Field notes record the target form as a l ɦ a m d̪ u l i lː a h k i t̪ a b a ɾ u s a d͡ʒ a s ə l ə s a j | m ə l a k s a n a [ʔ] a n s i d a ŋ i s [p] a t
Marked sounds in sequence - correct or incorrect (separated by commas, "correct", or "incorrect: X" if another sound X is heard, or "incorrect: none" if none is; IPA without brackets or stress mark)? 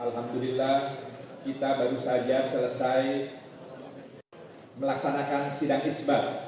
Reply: incorrect: k, incorrect: b